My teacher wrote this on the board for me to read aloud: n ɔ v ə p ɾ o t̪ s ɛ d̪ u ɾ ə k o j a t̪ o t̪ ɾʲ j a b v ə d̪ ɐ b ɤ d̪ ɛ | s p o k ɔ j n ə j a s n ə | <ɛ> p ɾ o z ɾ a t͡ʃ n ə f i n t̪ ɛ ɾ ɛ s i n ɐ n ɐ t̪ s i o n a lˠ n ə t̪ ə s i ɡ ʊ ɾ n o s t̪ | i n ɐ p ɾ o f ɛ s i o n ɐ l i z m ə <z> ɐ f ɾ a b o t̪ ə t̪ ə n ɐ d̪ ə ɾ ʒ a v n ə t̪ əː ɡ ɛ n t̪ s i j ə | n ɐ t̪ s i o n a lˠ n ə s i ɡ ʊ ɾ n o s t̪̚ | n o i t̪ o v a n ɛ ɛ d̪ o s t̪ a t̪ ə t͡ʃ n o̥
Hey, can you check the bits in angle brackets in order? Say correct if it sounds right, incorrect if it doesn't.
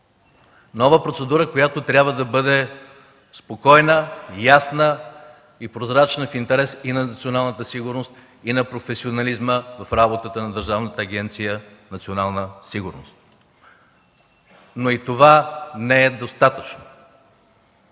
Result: incorrect: i, incorrect: v

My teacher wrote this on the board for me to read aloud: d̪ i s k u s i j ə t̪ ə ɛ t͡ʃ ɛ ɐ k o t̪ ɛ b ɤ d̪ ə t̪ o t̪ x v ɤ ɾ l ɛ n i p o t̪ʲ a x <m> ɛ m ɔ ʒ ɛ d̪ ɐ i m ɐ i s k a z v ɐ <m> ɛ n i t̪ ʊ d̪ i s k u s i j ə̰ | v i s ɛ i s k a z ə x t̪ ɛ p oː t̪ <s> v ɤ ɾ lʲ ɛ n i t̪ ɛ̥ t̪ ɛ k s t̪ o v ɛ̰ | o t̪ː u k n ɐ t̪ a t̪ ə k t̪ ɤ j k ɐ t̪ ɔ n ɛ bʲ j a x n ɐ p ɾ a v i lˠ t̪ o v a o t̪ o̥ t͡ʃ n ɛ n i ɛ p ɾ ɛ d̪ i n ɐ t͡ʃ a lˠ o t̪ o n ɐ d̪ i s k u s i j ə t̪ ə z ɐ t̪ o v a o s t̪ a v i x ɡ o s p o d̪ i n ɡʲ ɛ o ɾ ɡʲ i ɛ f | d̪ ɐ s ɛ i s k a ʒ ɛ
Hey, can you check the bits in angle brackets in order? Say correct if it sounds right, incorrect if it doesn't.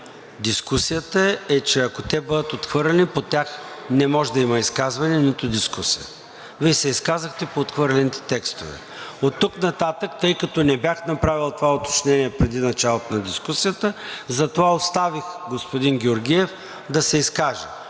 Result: incorrect: n, incorrect: n, incorrect: x

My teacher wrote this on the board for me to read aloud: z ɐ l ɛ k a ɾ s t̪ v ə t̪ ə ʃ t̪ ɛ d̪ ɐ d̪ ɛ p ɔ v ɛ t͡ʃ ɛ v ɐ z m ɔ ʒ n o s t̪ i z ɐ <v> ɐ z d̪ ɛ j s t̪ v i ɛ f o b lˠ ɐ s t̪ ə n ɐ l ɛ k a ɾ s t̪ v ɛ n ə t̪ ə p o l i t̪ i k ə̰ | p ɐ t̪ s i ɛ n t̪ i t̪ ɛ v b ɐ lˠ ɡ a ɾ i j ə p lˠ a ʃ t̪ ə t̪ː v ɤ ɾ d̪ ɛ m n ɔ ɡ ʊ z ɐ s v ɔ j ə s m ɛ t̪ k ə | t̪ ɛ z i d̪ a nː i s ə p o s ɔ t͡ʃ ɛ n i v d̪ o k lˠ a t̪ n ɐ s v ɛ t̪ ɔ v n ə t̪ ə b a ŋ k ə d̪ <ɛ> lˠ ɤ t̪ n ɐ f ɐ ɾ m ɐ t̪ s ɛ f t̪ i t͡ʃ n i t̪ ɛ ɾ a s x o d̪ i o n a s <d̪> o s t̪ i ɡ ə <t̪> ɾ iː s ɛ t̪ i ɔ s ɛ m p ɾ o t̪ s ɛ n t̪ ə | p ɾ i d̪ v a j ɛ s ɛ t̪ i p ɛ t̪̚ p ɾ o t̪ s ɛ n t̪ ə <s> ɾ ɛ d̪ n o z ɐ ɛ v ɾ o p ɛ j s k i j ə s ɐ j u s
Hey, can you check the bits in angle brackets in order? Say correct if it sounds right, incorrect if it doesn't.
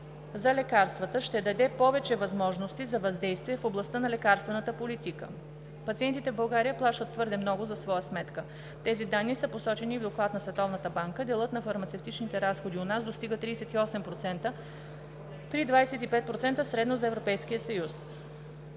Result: correct, correct, correct, correct, correct

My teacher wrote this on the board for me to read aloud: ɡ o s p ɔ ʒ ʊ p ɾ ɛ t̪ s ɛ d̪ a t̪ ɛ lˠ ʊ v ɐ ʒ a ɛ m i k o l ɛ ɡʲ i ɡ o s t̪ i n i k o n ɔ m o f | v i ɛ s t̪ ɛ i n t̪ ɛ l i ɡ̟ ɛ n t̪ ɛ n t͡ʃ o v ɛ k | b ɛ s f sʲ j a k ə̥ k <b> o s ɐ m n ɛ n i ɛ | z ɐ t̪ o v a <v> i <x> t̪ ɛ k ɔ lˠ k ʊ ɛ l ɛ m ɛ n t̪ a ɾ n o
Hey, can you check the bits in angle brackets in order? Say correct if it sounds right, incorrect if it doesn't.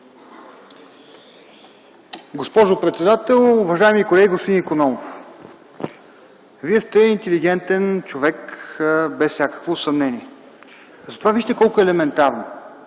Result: incorrect: v, correct, incorrect: ʃ

